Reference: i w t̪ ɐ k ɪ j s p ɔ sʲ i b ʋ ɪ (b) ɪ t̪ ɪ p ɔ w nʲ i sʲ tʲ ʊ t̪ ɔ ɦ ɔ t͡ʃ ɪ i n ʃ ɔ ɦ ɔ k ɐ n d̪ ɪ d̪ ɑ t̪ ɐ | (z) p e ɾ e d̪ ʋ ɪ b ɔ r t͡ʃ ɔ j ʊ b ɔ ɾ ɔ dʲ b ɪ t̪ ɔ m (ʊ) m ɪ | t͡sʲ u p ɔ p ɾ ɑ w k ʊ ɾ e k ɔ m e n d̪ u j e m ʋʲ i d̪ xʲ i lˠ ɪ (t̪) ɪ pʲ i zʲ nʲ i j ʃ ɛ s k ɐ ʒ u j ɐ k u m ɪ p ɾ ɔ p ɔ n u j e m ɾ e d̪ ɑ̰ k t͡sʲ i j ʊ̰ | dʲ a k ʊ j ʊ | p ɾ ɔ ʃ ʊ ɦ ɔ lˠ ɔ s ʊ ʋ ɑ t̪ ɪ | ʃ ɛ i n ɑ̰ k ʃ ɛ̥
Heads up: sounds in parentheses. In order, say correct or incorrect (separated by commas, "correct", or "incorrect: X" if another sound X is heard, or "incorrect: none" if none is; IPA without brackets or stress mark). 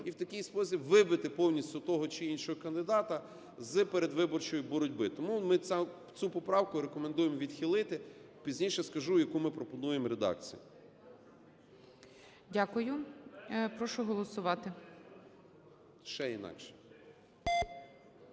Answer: correct, correct, incorrect: u, correct